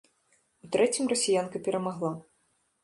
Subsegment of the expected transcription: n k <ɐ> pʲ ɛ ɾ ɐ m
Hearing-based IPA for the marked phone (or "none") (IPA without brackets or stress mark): ɐ